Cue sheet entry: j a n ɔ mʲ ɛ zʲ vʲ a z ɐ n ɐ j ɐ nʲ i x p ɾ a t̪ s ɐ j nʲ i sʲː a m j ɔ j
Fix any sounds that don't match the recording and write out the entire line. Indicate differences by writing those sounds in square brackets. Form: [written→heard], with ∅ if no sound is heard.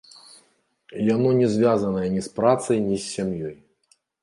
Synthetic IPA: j a n ɔ [mʲ→nʲ] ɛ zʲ vʲ a z ɐ n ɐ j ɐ nʲ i [x→s] p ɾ a t̪ s ɐ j nʲ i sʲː a m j ɔ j